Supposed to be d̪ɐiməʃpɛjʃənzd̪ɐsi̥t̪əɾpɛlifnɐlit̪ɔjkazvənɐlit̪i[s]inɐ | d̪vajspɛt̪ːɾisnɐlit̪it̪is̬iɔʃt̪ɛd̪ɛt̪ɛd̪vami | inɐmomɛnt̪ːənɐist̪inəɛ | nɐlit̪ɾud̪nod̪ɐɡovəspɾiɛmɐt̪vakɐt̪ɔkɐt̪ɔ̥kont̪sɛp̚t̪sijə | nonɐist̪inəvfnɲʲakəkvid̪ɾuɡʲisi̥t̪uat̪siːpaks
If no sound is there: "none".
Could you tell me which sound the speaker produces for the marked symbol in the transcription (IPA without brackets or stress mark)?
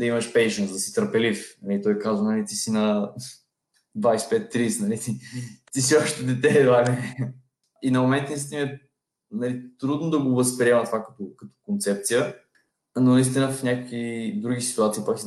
s